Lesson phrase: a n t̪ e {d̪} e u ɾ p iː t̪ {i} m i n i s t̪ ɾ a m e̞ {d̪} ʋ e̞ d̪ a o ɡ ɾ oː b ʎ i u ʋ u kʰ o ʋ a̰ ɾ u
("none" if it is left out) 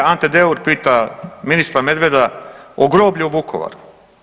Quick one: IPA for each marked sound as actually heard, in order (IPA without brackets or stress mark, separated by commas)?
d̪, a, d̪